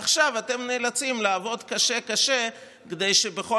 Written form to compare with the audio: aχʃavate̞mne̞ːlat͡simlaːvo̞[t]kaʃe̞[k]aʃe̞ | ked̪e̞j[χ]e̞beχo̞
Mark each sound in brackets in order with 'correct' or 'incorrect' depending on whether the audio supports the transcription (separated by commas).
incorrect, correct, incorrect